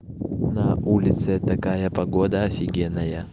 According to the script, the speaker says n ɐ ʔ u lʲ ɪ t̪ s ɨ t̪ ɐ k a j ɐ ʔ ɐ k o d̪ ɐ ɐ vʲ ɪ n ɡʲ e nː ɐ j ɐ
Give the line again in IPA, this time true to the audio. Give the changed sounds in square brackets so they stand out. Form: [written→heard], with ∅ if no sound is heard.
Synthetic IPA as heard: n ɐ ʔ u lʲ ɪ t̪ s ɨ t̪ ɐ k a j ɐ [ʔ→p] ɐ [k→ɡ] o d̪ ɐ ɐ [vʲ→fʲ] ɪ [n→∅] ɡʲ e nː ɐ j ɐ